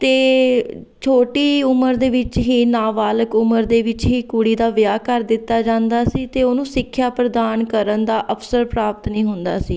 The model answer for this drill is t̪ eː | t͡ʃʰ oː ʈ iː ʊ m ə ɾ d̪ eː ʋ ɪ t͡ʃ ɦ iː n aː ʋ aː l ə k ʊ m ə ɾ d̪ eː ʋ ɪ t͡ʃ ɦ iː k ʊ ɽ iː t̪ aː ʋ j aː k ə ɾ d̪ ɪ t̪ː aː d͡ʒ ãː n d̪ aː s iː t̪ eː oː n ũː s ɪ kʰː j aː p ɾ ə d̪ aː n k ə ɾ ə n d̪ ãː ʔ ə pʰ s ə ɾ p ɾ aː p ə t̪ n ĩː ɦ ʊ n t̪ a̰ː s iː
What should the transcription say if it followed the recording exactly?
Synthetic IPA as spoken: t̪ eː | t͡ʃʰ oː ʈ iː ʊ m ə ɾ d̪ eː ʋ ɪ t͡ʃ ɦ iː n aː ʋ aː l ə k ʊ m ə ɾ d̪ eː ʋ ɪ t͡ʃ ɦ iː k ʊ ɽ iː d̪ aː ʋ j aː k ə ɾ d̪ ɪ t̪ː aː d͡ʒ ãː n d̪ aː s iː t̪ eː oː n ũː s ɪ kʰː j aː p ɾ ə d̪ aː n k ə ɾ ə n d̪ aː ʔ ə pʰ s ə ɾ p ɾ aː p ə t̪ n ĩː ɦ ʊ n d̪ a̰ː s iː